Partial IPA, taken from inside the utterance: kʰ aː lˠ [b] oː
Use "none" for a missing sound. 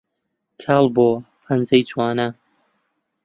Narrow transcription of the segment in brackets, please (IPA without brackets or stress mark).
b